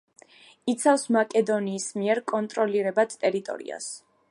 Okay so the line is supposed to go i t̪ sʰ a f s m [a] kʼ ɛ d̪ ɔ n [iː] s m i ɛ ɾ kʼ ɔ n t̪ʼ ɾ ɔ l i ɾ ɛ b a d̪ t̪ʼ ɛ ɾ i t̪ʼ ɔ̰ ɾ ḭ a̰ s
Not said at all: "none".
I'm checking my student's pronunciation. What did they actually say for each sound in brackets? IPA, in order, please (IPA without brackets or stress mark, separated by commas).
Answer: a, iː